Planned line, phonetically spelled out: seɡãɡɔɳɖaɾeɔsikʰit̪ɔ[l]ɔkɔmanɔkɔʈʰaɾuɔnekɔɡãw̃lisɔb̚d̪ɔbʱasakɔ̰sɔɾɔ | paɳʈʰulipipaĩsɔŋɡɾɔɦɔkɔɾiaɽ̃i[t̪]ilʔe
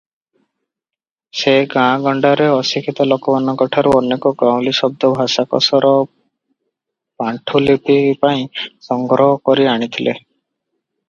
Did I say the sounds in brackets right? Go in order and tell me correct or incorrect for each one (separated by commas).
correct, incorrect